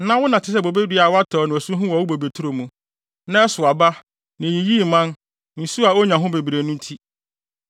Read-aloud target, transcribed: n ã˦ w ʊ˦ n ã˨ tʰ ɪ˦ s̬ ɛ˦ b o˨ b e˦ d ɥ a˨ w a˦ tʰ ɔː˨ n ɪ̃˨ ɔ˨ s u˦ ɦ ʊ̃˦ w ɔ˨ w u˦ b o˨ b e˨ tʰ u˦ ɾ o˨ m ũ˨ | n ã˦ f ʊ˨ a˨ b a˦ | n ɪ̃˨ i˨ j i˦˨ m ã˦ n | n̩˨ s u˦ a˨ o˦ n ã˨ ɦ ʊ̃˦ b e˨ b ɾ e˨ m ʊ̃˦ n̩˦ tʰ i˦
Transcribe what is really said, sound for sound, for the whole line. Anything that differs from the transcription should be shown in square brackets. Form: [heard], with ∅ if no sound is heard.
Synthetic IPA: n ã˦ w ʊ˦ n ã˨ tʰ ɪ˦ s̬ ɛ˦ b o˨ b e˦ d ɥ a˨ w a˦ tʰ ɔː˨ n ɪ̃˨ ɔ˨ s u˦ ɦ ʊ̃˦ w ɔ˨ w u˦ b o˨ b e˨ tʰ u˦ ɾ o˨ m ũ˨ | n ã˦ [s] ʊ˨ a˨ b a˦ | n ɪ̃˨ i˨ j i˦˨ m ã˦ n | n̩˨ s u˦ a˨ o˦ [ɲ] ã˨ ɦ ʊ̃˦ b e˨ b ɾ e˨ [n] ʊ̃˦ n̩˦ tʰ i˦